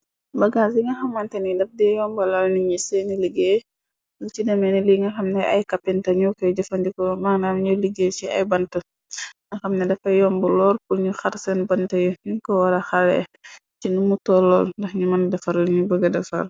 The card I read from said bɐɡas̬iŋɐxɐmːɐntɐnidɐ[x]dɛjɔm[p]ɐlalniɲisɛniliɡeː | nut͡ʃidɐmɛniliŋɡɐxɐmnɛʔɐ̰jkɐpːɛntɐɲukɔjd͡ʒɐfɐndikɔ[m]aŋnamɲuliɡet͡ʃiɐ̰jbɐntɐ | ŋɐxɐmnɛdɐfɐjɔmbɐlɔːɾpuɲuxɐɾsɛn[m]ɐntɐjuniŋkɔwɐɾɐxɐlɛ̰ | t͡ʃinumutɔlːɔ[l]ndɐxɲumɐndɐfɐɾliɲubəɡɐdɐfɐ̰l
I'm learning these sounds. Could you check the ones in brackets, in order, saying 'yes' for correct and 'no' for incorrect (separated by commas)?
no, no, yes, no, yes